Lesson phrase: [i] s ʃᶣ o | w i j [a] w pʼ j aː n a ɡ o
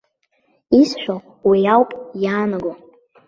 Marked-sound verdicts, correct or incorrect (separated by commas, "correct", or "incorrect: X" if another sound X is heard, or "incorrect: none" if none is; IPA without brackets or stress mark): correct, correct